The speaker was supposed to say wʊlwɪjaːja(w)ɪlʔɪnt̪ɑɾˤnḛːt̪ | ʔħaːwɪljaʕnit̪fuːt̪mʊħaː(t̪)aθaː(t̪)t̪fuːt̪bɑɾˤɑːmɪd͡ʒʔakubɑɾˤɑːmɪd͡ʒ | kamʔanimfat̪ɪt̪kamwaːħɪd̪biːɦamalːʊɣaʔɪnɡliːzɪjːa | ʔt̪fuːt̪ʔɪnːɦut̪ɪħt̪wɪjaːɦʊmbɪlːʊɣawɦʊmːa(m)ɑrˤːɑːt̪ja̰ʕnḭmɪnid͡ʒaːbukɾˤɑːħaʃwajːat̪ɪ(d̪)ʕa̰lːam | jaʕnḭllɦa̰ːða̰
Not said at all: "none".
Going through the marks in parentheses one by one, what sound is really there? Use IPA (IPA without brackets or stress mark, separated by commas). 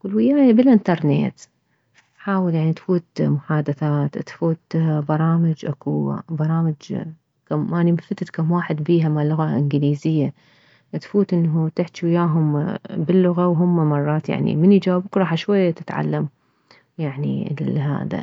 b, d̪, t̪, m, t̪